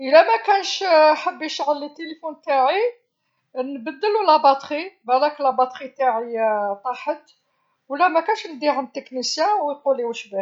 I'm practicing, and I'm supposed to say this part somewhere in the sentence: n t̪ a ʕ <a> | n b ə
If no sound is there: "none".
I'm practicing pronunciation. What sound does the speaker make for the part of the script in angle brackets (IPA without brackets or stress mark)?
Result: i